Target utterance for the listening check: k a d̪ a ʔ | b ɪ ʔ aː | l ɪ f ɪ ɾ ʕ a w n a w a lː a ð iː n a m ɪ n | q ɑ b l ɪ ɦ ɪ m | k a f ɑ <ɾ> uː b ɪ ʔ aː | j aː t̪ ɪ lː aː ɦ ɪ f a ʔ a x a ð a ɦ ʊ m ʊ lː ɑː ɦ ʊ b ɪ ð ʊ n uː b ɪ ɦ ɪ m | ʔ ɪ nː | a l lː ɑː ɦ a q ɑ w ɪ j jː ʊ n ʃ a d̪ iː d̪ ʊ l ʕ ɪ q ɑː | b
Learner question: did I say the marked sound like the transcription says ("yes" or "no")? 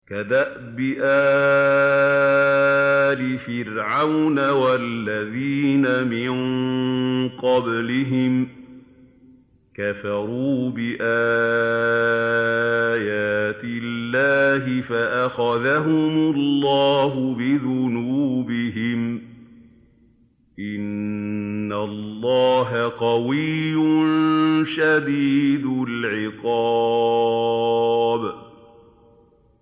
yes